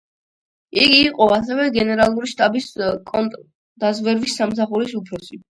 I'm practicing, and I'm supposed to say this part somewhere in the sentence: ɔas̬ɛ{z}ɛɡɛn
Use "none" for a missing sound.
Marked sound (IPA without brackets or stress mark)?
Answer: v